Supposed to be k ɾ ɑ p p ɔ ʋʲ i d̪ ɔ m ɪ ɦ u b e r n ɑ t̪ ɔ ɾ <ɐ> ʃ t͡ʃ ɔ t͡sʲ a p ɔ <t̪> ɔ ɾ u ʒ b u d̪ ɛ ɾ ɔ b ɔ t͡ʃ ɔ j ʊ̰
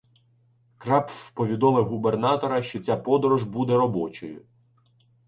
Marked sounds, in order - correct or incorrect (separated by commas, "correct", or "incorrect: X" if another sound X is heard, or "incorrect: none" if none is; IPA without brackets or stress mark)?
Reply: correct, incorrect: d̪